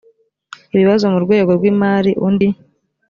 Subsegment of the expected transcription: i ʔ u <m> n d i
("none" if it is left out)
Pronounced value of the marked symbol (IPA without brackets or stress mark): none